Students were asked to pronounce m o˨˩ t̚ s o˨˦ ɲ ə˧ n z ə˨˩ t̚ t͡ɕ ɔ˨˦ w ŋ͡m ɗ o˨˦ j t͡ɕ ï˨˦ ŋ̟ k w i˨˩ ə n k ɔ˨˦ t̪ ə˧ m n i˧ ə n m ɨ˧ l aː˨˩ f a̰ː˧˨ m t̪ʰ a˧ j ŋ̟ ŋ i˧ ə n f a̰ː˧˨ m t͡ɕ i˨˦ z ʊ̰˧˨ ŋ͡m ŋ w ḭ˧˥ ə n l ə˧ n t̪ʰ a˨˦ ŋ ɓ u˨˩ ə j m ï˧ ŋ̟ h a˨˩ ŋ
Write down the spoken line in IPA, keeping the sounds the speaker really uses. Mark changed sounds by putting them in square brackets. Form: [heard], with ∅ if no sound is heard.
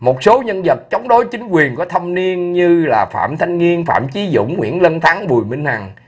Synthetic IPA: m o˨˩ t̚ s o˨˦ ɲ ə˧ n z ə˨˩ t̚ t͡ɕ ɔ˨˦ w ŋ͡m ɗ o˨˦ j t͡ɕ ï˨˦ ŋ̟ k w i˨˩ ə n k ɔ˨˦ [t̪ʰ] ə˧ m n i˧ ə n [ɲ] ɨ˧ l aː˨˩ f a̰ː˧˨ m t̪ʰ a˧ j ŋ̟ ŋ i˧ ə n f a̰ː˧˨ m t͡ɕ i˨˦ z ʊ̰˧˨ ŋ͡m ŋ w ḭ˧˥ ə n l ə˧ n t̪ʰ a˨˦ ŋ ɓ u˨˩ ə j m ï˧ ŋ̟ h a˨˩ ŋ

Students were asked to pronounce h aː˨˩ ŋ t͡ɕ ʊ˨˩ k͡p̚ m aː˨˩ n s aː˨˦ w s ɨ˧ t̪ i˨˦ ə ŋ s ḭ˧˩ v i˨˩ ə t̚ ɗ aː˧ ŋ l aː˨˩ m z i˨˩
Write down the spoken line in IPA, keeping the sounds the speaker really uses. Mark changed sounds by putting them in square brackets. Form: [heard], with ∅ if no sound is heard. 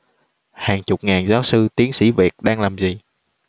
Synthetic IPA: h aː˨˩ ŋ t͡ɕ ʊ˨˩ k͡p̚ [ŋ] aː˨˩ n [z] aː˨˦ w s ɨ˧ t̪ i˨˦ ə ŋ s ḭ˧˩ v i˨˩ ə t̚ ɗ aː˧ ŋ l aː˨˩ m z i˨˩

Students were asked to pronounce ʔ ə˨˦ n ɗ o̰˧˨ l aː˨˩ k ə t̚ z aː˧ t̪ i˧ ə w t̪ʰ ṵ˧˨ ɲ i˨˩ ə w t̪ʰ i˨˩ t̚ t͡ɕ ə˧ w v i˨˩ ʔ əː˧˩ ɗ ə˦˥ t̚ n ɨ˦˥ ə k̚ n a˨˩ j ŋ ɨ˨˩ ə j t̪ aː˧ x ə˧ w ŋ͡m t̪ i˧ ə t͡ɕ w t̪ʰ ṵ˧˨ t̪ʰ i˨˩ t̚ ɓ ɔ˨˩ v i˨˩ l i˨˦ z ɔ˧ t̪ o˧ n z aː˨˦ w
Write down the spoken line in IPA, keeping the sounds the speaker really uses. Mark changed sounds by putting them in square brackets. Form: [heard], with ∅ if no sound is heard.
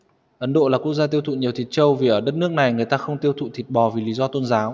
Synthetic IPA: ʔ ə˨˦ n ɗ o̰˧˨ l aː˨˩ k ə [k̚] z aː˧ t̪ i˧ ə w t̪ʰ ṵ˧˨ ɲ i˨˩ ə w t̪ʰ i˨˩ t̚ t͡ɕ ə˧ w v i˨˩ ʔ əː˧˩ ɗ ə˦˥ t̚ n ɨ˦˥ ə k̚ n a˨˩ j ŋ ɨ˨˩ ə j t̪ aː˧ x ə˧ w ŋ͡m t̪ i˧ ə [∅] w t̪ʰ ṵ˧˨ t̪ʰ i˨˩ t̚ ɓ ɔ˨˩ v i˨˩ l i˨˦ z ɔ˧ t̪ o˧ n z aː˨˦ w

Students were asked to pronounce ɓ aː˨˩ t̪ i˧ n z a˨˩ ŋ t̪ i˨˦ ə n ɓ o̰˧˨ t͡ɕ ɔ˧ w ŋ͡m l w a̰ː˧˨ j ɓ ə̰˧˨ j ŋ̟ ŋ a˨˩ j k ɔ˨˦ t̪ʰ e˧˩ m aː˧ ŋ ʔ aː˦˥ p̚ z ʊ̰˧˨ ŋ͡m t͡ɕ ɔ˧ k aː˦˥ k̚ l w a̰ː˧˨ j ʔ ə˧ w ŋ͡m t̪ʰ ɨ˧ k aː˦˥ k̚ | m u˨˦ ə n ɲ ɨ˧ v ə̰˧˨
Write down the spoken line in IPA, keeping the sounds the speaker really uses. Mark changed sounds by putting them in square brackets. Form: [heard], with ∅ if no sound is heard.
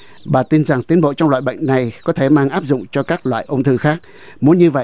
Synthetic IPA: ɓ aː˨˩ t̪ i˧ n z a˨˩ ŋ t̪ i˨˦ ə n ɓ o̰˧˨ t͡ɕ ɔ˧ w ŋ͡m l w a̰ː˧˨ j ɓ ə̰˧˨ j ŋ̟ [n] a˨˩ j k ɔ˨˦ t̪ʰ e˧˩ m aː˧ ŋ ʔ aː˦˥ p̚ z ʊ̰˧˨ ŋ͡m t͡ɕ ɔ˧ k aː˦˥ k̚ l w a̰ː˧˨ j ʔ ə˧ w ŋ͡m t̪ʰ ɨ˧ [x] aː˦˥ k̚ | m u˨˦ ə n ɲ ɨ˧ v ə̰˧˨

